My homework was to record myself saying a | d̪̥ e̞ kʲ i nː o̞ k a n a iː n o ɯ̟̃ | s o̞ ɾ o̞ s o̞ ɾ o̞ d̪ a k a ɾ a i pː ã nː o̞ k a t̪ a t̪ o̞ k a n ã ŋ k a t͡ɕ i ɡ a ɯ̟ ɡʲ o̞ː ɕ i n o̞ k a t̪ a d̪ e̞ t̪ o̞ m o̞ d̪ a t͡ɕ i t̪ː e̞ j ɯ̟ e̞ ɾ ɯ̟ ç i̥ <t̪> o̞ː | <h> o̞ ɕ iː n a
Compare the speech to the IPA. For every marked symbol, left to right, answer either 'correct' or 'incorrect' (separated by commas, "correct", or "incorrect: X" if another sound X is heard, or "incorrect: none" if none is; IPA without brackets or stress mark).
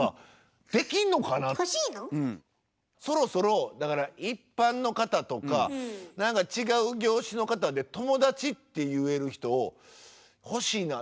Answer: correct, correct